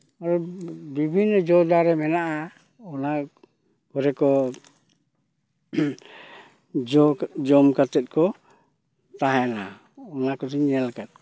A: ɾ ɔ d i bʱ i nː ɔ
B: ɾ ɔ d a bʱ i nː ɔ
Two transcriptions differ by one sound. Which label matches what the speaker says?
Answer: A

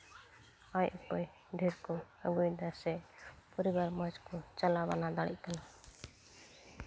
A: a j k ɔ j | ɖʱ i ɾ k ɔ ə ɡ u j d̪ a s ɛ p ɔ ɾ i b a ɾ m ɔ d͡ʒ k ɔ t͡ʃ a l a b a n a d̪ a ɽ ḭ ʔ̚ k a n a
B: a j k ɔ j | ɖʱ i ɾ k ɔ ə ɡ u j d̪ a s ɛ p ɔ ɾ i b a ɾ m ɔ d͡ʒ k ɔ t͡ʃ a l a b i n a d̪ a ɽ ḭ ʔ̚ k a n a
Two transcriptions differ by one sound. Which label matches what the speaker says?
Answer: A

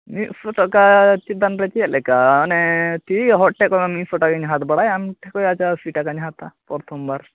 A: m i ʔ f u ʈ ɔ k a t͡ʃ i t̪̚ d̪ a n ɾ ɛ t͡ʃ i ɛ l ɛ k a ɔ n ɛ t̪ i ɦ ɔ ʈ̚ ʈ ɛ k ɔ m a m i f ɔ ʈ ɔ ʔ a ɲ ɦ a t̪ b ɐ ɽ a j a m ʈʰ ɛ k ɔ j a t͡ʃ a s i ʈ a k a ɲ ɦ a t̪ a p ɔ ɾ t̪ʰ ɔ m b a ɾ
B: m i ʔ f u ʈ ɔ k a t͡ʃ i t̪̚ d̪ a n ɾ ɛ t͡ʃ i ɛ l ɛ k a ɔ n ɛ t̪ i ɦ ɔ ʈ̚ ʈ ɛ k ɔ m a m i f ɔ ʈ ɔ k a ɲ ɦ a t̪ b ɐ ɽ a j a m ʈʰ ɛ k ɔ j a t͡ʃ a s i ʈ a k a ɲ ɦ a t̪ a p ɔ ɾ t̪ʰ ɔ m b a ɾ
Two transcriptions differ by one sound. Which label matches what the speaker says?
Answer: B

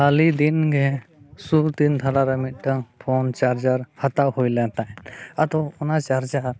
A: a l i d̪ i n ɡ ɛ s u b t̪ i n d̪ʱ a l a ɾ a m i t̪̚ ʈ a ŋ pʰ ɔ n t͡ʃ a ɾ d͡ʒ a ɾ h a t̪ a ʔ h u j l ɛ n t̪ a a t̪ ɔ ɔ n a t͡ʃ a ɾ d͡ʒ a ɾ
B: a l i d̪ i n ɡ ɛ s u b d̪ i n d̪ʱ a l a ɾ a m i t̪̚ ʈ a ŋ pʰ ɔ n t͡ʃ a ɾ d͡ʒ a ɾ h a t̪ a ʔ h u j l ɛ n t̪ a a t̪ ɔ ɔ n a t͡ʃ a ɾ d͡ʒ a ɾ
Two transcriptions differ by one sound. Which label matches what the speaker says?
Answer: A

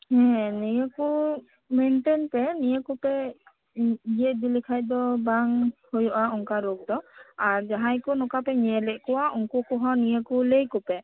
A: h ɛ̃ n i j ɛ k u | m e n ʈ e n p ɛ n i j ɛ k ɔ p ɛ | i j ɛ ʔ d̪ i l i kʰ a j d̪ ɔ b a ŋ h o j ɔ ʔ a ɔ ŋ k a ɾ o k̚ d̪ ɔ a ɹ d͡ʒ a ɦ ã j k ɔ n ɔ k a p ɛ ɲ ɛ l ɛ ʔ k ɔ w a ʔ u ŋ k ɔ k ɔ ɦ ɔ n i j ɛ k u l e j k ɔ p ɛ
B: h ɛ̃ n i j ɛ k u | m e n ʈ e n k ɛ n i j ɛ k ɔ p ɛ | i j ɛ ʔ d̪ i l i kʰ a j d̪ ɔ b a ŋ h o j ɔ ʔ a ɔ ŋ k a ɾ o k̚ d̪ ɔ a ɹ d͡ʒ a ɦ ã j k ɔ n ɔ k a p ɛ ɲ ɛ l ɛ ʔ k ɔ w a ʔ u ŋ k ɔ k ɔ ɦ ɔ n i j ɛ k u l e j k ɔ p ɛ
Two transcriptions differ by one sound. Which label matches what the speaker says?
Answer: A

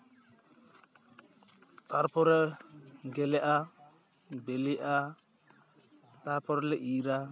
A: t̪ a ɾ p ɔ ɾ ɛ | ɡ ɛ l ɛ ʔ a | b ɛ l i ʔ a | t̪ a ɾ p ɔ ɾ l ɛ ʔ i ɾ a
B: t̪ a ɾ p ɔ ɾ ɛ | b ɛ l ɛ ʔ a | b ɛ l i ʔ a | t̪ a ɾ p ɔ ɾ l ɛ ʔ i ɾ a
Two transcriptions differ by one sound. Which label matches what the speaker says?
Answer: A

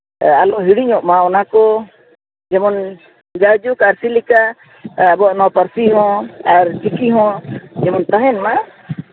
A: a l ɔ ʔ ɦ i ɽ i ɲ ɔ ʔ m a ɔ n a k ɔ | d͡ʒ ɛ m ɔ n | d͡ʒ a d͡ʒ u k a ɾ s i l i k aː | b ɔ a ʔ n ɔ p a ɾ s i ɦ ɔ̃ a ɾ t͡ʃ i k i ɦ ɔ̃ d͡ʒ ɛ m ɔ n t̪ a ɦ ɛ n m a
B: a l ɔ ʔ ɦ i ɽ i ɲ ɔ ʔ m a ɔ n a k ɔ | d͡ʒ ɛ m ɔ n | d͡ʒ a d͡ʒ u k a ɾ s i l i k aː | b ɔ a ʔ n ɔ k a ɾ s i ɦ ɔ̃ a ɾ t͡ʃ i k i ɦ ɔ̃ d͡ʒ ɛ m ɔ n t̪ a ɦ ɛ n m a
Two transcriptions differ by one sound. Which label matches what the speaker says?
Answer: A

